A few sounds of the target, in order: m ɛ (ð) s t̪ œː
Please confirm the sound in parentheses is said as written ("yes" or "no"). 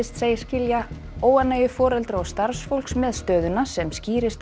yes